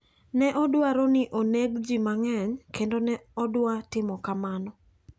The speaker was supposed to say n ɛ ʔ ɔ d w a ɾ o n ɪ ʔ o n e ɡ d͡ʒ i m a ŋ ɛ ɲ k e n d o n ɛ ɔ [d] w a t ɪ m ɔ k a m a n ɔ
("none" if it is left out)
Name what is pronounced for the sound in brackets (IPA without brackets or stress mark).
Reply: d